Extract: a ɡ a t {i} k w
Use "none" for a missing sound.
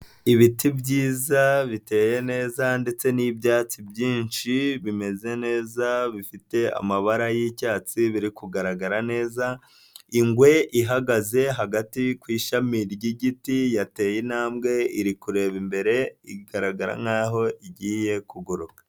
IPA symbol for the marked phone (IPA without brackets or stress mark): i